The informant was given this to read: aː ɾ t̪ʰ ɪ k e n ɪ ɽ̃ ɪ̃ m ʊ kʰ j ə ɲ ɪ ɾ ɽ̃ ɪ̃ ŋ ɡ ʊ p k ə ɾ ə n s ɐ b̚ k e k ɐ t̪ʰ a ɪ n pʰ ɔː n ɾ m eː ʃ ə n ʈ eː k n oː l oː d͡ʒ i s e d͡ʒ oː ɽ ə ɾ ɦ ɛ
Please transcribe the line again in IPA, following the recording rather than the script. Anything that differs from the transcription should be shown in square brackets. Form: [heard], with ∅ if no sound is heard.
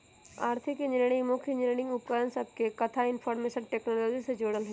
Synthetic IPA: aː ɾ t̪ʰ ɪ k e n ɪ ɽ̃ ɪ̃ m ʊ kʰ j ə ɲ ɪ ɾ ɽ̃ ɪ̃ ŋ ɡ ʊ p k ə ɾ ə n s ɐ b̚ k e k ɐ t̪ʰ a ɪ n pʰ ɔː [∅] ɾ m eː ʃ ə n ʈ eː k n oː l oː d͡ʒ i s e d͡ʒ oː ɽ ə [l] ɦ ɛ